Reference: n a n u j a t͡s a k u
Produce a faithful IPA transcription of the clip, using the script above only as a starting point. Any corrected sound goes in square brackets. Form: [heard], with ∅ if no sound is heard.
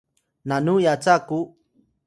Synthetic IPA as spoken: n a n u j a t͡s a k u